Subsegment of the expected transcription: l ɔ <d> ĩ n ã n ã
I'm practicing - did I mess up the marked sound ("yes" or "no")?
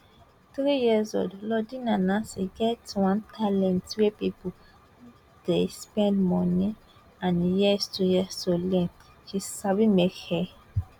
no